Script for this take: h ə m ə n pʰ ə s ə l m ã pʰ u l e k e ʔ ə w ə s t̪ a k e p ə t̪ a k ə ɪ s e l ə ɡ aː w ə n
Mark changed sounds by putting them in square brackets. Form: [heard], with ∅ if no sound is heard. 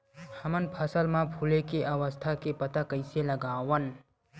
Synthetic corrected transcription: h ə m ə n pʰ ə s ə l m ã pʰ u l e k e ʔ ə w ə s [t̪ʰ] a k e p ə t̪ a k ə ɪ s e l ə ɡ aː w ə n